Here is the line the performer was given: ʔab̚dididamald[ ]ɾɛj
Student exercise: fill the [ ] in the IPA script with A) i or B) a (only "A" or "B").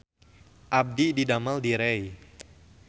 A